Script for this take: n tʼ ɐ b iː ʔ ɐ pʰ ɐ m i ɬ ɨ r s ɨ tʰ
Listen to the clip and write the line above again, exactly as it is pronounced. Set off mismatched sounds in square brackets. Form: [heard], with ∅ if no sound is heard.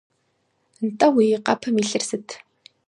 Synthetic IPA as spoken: n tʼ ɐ [w] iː [q] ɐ pʰ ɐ m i ɬ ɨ r s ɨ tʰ